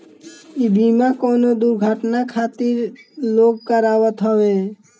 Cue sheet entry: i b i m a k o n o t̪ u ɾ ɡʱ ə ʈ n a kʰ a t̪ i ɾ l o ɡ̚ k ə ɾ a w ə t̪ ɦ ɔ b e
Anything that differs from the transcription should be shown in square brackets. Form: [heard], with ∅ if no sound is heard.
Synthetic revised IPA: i b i m a k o n o [d̪] u ɾ ɡʱ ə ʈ n a kʰ a t̪ i ɾ l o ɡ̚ k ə ɾ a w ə t̪ ɦ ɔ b e